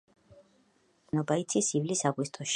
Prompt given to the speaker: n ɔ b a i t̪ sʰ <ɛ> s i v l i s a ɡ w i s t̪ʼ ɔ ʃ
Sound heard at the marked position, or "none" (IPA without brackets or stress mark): i